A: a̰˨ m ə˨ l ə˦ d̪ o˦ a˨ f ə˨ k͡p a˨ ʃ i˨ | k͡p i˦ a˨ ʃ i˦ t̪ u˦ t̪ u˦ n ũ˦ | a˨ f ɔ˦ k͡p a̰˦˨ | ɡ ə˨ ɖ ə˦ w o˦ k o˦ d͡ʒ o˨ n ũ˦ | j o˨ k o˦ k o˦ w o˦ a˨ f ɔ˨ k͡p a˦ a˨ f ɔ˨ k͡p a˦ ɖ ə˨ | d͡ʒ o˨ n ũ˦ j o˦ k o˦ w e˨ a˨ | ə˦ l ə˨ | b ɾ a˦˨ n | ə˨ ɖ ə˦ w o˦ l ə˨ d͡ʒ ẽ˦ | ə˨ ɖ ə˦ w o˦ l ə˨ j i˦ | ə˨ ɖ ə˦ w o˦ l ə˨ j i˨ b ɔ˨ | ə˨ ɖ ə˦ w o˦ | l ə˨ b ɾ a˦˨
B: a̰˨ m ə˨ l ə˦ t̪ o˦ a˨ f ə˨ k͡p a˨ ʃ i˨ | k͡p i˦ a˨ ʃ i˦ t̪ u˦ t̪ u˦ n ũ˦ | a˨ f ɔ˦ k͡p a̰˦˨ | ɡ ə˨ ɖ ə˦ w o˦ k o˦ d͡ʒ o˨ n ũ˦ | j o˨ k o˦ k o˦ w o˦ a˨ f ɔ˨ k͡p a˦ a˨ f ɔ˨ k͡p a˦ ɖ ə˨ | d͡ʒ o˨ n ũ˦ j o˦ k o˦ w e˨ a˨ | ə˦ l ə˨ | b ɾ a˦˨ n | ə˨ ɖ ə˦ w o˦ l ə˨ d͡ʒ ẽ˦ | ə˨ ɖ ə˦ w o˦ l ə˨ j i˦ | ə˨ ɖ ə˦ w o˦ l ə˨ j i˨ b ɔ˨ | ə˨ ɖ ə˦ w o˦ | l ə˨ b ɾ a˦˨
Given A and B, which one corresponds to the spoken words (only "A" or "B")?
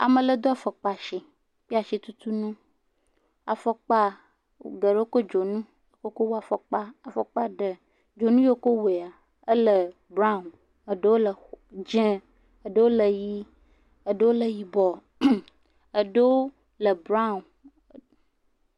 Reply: A